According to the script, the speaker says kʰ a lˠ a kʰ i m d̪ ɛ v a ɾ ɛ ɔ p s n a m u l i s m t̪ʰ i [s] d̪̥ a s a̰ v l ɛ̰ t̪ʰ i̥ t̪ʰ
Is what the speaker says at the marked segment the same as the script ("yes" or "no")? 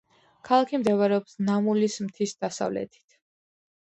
yes